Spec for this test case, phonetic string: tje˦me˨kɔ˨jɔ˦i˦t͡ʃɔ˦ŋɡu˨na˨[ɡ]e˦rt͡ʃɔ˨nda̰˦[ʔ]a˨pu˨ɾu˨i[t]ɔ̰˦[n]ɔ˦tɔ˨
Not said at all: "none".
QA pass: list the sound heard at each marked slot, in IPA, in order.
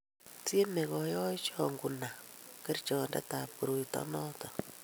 k, t, t, n

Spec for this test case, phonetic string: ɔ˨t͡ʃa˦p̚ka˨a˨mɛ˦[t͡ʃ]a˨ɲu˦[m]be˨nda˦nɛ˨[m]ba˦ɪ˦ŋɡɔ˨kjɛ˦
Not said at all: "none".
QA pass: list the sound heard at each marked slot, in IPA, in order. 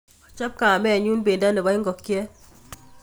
none, n, none

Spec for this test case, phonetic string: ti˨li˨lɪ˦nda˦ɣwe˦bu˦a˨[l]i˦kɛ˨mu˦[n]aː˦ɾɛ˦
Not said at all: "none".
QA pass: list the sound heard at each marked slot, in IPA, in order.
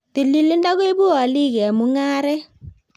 l, ŋ

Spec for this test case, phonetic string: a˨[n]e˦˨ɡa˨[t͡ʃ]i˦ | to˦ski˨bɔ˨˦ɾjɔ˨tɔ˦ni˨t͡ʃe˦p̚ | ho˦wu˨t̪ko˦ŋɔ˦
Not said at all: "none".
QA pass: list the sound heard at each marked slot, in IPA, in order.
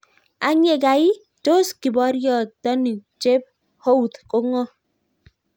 ɲ, none

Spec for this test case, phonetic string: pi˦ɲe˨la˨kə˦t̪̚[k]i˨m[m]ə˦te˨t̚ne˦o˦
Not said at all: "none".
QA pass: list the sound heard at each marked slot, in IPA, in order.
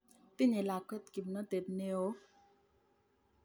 k, n

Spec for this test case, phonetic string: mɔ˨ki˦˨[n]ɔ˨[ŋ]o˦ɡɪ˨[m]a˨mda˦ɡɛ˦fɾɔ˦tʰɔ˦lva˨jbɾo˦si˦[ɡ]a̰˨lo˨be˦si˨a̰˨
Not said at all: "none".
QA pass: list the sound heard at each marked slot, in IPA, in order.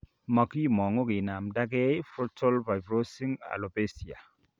m, ŋ, n, ŋ

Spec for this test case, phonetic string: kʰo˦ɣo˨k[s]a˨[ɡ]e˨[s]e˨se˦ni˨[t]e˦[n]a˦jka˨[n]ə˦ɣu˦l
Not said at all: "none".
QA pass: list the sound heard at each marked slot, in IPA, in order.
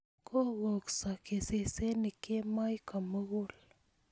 s, k, s, k, m, m

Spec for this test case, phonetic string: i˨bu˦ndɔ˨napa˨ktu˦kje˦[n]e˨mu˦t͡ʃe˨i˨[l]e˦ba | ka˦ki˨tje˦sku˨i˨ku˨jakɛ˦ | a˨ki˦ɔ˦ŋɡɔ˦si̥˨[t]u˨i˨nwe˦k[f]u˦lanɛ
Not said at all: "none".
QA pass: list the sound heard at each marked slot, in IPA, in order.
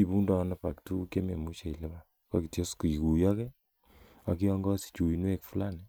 m, l, t͡ʃ, f

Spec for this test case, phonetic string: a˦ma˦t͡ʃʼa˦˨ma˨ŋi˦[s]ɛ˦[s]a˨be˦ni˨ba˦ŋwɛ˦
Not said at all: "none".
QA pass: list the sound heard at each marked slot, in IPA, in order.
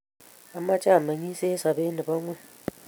s, s

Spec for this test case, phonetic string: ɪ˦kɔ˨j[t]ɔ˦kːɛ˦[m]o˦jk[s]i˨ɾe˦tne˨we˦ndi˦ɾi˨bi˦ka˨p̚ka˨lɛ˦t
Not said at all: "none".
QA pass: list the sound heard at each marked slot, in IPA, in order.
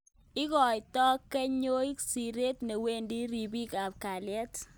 t, ɲ, s

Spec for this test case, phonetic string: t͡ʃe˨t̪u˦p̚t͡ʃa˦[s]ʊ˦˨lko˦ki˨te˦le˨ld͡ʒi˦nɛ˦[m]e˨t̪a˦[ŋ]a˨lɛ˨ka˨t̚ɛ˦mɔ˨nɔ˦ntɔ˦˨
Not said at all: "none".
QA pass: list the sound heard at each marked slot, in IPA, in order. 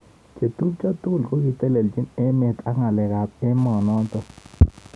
t, m, ŋ

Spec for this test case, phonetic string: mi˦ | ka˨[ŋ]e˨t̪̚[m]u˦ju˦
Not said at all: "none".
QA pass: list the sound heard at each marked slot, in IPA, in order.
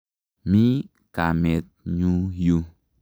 m, ɲ

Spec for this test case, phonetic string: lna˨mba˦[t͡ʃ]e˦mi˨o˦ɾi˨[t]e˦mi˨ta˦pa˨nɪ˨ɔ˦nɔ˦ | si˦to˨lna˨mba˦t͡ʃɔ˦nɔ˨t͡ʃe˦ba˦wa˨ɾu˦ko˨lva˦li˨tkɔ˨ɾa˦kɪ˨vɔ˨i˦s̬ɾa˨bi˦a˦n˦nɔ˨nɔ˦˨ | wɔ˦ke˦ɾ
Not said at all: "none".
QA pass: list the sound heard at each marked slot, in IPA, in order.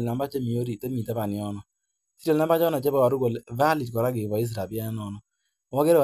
t͡ʃ, t

